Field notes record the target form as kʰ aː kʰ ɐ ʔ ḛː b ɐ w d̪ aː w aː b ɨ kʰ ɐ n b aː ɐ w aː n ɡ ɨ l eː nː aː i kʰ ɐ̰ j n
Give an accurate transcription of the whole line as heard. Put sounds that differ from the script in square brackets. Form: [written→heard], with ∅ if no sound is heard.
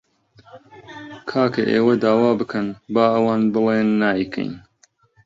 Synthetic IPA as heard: kʰ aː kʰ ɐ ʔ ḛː [b→w] ɐ [w→∅] d̪ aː w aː b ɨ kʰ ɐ n b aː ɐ w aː n [ɡ→b] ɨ l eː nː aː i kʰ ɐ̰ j n